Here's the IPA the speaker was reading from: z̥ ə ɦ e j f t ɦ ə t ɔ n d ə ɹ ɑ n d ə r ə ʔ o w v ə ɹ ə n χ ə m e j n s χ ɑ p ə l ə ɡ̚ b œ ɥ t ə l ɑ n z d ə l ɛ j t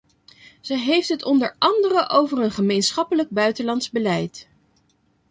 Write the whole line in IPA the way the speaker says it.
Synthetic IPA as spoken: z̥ ə ɦ e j f t ɦ ə t ɔ n d ə ɹ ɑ n d ə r ə ʔ o w v ə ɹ ə n χ ə m e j n s χ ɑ p ə l ə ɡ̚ b œ ɥ t ə l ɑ n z b ə l ɛ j t